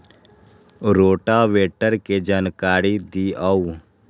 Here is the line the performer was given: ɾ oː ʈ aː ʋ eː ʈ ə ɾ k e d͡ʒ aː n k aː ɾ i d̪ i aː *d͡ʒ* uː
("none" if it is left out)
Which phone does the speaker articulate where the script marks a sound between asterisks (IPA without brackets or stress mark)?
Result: none